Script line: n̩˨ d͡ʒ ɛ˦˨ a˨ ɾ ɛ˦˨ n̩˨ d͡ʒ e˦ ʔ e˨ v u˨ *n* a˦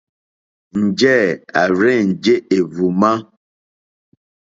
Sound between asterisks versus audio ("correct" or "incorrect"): incorrect